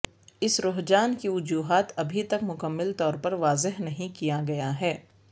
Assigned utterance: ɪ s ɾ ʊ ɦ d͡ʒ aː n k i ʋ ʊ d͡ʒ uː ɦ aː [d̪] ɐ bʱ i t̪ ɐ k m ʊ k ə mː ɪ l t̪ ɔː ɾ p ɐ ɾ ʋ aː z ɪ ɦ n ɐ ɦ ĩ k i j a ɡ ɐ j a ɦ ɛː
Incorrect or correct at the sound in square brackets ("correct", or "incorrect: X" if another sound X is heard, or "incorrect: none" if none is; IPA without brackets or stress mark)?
incorrect: t̪